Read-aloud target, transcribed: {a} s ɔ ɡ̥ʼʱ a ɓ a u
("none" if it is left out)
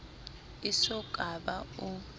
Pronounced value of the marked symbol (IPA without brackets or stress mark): i